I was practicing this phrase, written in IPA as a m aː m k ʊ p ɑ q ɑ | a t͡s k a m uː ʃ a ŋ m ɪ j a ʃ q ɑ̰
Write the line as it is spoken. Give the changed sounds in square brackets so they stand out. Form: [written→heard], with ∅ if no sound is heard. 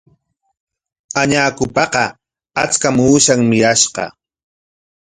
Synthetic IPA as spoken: a [m→ɲ] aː [m→∅] k ʊ p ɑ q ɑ | a t͡s k a m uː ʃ a ŋ m ɪ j a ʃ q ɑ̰